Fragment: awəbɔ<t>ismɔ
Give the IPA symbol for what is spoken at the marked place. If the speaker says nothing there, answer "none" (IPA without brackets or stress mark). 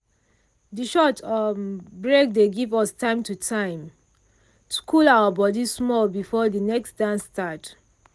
d